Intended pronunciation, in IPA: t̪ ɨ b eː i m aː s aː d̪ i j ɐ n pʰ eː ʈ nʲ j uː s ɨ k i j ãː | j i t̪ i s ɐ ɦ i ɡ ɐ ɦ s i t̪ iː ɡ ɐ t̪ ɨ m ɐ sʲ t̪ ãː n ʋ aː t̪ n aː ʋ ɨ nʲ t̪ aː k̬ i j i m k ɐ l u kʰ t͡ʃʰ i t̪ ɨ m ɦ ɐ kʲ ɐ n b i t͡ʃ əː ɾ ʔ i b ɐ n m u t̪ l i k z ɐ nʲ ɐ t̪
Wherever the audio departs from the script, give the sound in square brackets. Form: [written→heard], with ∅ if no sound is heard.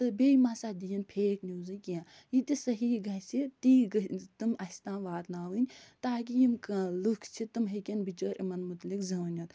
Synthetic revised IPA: t̪ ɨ b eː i m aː s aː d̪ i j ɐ n pʰ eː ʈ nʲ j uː [s→z] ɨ k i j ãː | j i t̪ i s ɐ ɦ i ɡ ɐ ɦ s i t̪ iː ɡ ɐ t̪ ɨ m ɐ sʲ t̪ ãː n ʋ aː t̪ n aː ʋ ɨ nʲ t̪ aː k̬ i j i m k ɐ l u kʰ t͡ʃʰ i t̪ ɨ m ɦ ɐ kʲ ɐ n b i t͡ʃ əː ɾ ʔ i [b→m] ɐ n m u t̪ l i k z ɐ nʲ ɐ t̪